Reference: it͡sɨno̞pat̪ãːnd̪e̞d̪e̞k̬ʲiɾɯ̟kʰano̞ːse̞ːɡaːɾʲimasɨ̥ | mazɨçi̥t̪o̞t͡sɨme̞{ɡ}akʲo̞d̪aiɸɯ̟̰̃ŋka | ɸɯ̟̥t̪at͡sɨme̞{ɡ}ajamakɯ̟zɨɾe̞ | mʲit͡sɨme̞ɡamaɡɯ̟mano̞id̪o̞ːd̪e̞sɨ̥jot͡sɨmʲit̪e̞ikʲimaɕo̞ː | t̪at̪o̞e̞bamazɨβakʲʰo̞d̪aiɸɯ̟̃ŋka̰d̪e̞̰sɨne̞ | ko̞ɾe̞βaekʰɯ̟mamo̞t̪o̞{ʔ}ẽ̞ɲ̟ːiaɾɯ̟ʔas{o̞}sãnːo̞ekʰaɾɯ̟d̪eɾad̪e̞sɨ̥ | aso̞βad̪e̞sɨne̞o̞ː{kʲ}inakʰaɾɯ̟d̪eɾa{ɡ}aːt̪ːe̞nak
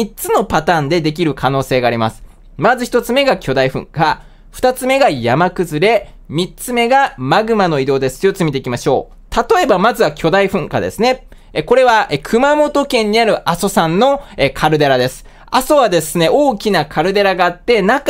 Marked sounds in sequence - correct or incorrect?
correct, correct, incorrect: k, correct, correct, correct

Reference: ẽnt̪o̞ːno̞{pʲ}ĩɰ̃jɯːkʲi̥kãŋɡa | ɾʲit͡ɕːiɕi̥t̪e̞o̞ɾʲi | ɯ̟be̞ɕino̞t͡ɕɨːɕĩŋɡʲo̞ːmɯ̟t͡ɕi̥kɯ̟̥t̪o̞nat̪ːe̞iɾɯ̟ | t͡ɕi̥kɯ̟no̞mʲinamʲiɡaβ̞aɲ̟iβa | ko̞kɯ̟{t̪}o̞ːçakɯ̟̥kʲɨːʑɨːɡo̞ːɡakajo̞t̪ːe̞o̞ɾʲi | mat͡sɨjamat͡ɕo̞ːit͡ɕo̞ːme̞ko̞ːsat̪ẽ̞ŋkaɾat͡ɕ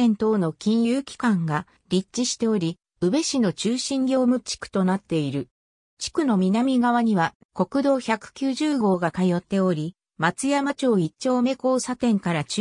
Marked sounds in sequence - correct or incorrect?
incorrect: kʲ, incorrect: d̪

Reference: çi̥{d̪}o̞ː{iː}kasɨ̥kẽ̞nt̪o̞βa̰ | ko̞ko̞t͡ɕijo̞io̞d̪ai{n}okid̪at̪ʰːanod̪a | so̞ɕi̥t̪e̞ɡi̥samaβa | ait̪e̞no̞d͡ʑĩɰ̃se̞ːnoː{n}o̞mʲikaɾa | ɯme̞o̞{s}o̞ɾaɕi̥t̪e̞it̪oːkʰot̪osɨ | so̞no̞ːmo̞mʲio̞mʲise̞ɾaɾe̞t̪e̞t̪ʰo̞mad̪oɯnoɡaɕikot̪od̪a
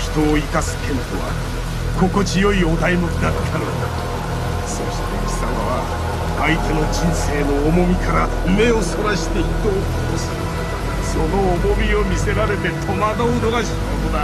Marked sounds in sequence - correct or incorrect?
incorrect: t̪, incorrect: i, incorrect: m, incorrect: m, correct

